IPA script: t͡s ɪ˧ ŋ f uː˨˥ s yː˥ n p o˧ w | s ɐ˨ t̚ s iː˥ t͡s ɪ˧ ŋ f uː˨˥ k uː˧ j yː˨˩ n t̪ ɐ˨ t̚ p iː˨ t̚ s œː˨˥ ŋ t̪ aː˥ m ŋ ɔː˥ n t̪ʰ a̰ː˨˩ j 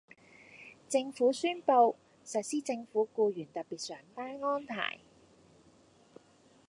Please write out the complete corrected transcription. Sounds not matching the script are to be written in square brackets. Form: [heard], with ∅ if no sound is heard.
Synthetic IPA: t͡s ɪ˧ ŋ f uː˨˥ s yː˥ n p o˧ w | s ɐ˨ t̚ s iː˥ t͡s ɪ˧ ŋ f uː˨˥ k uː˧ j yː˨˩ n t̪ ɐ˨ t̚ p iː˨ t̚ s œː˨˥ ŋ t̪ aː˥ [n] ŋ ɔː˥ n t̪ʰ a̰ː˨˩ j